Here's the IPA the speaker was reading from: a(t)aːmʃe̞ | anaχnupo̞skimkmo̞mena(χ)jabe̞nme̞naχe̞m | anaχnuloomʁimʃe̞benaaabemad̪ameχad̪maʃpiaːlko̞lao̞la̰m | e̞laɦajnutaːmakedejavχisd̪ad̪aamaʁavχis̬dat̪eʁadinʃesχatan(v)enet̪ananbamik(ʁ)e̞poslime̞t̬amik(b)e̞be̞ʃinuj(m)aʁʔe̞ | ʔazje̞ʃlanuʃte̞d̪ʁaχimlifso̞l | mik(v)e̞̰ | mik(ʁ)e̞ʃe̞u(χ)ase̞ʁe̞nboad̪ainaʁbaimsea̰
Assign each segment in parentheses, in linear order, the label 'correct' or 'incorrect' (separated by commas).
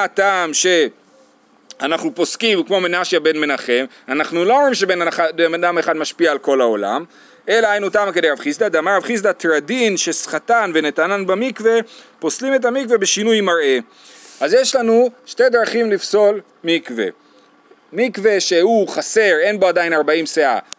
correct, incorrect, correct, incorrect, incorrect, correct, correct, incorrect, correct